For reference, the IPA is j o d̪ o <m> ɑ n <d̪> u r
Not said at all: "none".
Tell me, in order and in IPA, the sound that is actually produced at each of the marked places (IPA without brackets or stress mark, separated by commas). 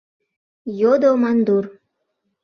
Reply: m, d̪